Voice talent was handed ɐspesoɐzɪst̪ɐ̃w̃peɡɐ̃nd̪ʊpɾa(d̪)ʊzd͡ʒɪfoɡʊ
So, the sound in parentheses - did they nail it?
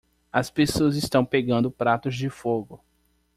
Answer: no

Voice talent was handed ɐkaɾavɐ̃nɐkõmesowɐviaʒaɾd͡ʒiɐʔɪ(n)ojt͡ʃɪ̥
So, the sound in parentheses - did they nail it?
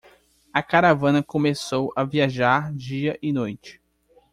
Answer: yes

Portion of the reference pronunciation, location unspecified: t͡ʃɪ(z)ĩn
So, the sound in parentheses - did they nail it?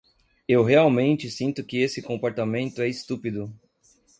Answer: no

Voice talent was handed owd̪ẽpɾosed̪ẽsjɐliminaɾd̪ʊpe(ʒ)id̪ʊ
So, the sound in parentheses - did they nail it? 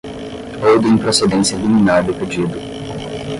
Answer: no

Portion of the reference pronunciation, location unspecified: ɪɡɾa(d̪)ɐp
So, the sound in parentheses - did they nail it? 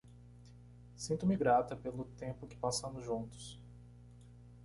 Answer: no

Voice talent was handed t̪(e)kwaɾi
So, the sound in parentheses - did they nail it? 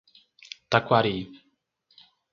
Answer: no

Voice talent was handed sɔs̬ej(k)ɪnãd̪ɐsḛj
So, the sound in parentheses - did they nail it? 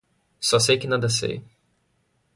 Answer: yes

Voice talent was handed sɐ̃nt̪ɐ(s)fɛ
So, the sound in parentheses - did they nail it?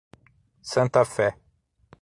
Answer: no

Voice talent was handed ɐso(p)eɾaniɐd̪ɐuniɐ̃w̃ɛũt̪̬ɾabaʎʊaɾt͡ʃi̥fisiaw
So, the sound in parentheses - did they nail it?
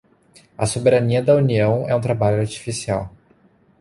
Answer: no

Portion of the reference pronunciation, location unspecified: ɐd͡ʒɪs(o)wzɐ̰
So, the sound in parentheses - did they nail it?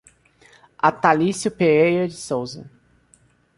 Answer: yes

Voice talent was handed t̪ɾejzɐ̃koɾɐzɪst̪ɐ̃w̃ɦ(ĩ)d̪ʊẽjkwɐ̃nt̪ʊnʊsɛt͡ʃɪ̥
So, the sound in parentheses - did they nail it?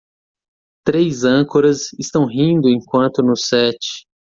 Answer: yes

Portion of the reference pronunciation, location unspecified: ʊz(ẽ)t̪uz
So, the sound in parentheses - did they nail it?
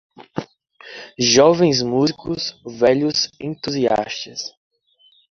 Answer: yes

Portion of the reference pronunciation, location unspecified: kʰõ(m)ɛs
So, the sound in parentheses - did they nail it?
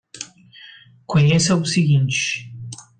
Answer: no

